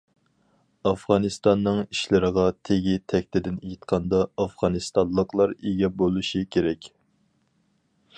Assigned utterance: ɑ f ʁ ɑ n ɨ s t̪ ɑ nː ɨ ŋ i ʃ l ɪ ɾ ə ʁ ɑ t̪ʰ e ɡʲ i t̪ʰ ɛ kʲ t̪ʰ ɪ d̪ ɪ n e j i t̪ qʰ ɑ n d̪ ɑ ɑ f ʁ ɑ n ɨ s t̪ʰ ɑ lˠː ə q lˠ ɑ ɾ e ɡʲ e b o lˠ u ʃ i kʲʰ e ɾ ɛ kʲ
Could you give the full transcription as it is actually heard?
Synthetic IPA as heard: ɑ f ʁ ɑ n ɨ s t̪ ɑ nː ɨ ŋ i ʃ l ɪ ɾ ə ʁ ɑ t̪ʰ e ɡʲ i t̪ʰ ɛ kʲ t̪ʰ ɪ d̪ ɪ n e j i t̪ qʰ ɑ n d̪ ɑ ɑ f ʁ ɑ n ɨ s t̪ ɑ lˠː ə q lˠ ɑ ɾ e ɡʲ ɛ b o lˠ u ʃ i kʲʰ e ɾ ɛ kʲ